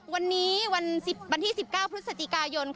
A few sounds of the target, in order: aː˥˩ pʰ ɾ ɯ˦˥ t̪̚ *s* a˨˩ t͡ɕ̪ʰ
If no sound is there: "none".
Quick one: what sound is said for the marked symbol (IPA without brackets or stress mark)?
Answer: s